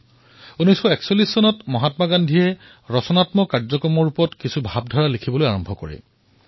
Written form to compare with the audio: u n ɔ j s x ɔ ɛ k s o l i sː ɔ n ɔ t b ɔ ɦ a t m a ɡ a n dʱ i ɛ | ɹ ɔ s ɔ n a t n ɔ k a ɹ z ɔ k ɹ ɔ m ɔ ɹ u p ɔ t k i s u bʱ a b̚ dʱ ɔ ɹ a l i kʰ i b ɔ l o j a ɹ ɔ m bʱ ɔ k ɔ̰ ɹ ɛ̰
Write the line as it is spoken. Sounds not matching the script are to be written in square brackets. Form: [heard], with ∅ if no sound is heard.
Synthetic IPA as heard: u n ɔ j s x ɔ ɛ k s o l i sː ɔ n ɔ t [m] ɔ ɦ a t m a ɡ a n dʱ i ɛ | ɹ ɔ s ɔ n a t [m] ɔ k a ɹ z ɔ k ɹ ɔ m ɔ ɹ u p ɔ t k i s u bʱ a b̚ dʱ ɔ ɹ a l i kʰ i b ɔ l o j a ɹ ɔ m bʱ ɔ k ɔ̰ ɹ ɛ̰